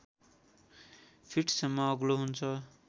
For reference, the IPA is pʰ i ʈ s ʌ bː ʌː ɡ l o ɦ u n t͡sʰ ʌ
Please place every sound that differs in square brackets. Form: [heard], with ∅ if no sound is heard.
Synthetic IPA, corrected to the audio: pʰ i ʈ s ʌ [mː] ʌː ɡ l o ɦ u n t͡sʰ ʌ